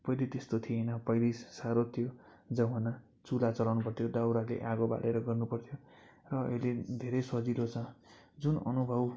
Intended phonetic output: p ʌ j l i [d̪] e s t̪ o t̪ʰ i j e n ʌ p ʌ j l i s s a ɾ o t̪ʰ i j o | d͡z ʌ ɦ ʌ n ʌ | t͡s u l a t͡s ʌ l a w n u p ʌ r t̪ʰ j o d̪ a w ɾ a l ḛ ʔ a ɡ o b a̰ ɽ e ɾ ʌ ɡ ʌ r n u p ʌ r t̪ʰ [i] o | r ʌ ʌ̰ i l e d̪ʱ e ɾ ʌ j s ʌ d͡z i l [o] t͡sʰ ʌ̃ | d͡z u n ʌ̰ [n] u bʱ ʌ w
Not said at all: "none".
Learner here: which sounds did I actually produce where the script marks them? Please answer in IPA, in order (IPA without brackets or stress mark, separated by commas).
t̪, j, o, n